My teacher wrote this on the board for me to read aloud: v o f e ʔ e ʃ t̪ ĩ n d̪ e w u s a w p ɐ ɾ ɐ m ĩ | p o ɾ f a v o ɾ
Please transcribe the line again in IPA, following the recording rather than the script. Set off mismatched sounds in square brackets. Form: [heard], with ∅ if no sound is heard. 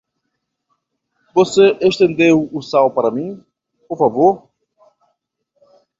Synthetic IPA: v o [s] e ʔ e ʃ t̪ [ẽ] n d̪ e w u s a w p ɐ ɾ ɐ m ĩ | p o ɾ f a v o ɾ

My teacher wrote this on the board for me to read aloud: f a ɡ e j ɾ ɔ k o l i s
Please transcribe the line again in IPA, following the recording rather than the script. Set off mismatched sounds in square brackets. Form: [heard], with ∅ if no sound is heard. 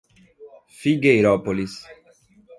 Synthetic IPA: f [i] ɡ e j ɾ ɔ [p] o l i s

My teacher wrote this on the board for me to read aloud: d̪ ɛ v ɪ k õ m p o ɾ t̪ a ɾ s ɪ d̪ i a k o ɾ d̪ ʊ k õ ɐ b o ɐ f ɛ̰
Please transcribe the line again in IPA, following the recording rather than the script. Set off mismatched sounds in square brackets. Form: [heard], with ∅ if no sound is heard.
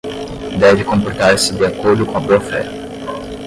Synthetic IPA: d̪ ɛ v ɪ k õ m p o ɾ t̪ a ɾ s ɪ d̪ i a k o ɾ d̪ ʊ k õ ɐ b o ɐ f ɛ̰

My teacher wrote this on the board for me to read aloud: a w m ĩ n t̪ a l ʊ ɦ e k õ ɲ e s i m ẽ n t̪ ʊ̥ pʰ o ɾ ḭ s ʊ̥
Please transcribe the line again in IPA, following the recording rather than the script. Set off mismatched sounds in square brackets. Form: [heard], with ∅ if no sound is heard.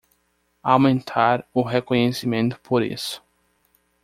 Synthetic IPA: a w m [ẽ] n [t̪ʰ] a [ɾ] ʊ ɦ e k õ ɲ e s i m ẽ n t̪ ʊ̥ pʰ o ɾ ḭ s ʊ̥

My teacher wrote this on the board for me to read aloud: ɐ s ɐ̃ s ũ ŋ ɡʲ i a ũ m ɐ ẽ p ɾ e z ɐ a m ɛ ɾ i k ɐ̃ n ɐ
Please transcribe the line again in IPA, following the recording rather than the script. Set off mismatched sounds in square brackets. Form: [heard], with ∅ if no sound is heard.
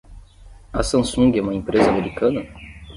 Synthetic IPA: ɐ s ɐ̃ s ũ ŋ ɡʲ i [ɛ] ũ m ɐ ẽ p ɾ e z ɐ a m [e] ɾ i k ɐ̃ n ɐ

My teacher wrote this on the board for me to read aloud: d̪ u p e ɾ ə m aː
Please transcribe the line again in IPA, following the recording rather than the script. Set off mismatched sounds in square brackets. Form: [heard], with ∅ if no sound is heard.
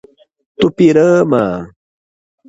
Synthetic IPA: [t̪] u p [i] ɾ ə m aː

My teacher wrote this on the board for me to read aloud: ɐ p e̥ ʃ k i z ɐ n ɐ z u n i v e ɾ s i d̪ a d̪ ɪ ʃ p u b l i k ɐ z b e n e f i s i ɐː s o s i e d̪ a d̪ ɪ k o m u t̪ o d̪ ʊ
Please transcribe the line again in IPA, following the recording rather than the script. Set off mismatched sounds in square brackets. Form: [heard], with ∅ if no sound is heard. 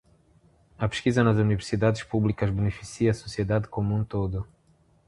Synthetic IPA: ɐ p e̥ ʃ k i z ɐ n ɐ z u n i v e ɾ s i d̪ a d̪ ɪ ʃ p u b l i k ɐ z b e n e f i s i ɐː s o s i e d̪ a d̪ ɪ k o m [ũ] t̪ o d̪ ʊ

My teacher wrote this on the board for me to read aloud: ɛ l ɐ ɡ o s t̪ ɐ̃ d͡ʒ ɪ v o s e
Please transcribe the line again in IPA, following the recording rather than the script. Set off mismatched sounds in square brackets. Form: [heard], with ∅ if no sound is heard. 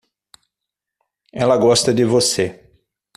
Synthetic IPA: ɛ l ɐ ɡ [ɔ] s t̪ [ɐ] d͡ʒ ɪ v o s e

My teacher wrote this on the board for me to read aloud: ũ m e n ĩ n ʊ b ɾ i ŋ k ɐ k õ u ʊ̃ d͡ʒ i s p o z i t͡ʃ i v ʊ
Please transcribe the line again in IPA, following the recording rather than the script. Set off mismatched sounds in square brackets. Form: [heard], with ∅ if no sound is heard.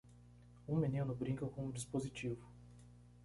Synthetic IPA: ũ m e n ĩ n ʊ b ɾ [ĩ] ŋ k ɐ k õ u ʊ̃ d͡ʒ i s p o z i t͡ʃ i v ʊ

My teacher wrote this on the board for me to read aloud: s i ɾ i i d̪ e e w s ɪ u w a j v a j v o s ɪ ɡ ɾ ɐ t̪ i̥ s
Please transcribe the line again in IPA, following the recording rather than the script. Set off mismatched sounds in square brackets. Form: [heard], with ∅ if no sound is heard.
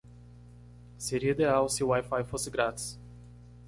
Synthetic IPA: s [e] ɾ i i d̪ e [a] w s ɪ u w a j [f] a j [f] o s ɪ ɡ ɾ [a] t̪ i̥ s

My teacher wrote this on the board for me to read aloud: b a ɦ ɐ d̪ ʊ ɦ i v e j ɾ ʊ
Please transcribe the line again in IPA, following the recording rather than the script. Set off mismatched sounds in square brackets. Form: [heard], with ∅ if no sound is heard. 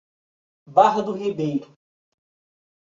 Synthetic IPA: b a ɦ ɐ d̪ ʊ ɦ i [b] e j ɾ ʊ

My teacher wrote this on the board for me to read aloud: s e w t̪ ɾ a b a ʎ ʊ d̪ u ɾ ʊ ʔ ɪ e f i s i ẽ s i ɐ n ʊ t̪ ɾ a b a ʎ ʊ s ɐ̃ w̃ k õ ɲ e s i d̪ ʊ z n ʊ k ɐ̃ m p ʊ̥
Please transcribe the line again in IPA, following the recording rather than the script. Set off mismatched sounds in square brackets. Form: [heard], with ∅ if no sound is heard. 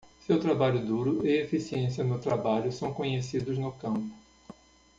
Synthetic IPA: s e w t̪ ɾ a b a ʎ ʊ d̪ u ɾ ʊ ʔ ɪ e f i s i ẽ s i ɐ n ʊ t̪ ɾ a b a ʎ ʊ s ɐ̃ w̃ k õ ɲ e s i d̪ ʊ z n ʊ k ɐ̃ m p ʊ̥

